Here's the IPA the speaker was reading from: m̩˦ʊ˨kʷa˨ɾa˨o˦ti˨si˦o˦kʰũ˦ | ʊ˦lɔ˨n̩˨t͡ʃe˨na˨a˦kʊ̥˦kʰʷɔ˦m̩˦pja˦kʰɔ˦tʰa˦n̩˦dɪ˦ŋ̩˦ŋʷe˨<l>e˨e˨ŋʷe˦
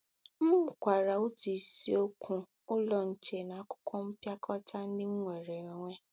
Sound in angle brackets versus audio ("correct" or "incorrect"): incorrect